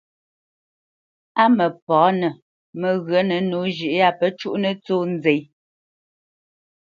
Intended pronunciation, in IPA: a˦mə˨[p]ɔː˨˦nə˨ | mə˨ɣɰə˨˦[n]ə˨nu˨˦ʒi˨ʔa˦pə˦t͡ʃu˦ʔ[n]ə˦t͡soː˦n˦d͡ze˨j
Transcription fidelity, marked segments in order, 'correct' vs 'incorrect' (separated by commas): correct, correct, correct